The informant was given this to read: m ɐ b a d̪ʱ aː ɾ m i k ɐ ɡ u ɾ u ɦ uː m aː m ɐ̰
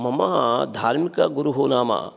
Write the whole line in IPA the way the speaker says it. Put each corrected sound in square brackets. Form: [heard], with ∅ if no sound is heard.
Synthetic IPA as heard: m ɐ [m] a d̪ʱ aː ɾ m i k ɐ ɡ u ɾ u ɦ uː [n] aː m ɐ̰